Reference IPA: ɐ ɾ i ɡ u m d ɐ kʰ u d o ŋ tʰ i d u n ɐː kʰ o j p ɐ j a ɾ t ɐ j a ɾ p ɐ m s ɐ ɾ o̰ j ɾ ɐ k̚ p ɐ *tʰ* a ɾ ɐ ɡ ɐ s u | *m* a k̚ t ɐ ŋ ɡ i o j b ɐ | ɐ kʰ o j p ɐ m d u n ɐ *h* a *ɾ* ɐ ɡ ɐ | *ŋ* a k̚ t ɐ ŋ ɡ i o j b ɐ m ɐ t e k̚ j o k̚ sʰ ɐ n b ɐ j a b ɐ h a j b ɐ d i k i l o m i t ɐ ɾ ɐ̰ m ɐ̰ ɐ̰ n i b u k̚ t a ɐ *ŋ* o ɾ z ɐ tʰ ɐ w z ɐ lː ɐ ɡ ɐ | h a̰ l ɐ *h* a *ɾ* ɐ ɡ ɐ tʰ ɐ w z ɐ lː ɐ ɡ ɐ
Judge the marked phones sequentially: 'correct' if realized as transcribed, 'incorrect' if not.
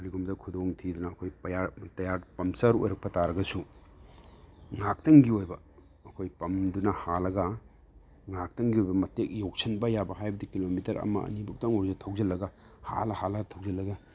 incorrect: t, incorrect: ŋ, correct, incorrect: l, correct, correct, correct, incorrect: l

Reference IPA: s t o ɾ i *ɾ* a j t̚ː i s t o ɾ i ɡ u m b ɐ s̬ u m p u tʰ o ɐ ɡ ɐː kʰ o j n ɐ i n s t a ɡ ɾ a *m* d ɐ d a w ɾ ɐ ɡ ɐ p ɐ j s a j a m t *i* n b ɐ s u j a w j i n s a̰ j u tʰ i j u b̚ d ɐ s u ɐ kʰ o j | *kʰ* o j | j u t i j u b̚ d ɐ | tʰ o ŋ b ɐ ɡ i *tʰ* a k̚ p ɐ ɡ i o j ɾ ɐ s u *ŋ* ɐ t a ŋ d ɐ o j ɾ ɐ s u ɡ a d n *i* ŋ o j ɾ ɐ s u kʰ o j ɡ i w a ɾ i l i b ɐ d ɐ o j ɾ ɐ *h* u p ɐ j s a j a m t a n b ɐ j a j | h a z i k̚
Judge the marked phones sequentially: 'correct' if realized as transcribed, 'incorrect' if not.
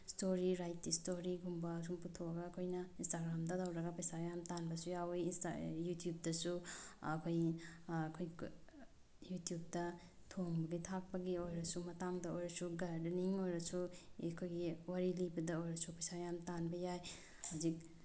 correct, correct, incorrect: a, correct, correct, incorrect: m, correct, incorrect: s

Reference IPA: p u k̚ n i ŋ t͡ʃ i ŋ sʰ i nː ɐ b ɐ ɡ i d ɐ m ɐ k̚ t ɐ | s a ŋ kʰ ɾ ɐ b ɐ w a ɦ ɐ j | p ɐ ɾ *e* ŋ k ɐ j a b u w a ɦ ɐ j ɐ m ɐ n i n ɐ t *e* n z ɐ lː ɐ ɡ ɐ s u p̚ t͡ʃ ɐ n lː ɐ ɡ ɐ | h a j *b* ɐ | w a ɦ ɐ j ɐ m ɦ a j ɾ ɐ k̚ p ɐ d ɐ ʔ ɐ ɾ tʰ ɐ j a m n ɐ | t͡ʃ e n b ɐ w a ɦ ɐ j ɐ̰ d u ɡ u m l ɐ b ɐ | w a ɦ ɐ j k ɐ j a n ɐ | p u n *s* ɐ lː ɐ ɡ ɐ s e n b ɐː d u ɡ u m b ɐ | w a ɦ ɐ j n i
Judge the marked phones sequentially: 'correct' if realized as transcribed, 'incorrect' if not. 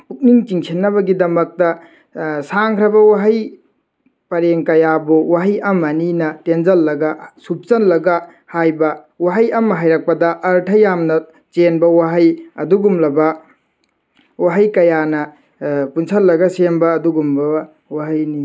correct, correct, correct, correct

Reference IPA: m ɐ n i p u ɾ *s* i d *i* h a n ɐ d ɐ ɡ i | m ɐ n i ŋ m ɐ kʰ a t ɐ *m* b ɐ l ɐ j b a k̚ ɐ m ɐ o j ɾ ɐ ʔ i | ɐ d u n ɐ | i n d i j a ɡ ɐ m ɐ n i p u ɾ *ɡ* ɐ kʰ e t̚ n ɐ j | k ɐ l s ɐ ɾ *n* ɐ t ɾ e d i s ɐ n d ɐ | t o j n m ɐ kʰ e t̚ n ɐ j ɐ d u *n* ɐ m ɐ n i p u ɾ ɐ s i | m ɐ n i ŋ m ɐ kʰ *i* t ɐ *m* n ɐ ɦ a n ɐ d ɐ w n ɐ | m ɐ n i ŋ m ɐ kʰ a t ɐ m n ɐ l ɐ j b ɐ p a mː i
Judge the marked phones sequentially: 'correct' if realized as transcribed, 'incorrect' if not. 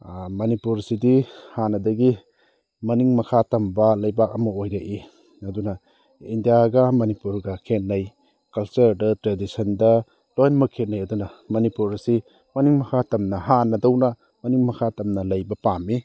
correct, correct, correct, correct, incorrect: d, correct, incorrect: a, correct

